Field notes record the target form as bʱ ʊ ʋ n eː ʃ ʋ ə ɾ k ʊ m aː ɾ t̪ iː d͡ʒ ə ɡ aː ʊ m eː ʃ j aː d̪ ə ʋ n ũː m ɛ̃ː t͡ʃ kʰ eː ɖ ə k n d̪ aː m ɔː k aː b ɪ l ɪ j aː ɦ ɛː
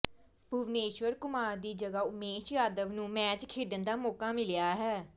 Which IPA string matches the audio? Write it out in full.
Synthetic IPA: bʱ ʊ ʋ n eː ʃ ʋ ə ɾ k ʊ m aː ɾ d̪ iː d͡ʒ ə ɡ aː ʊ m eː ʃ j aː d̪ ə ʋ n ũː m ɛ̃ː t͡ʃ kʰ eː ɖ ə n d̪ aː m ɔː k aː m ɪ l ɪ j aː ɦ ɛː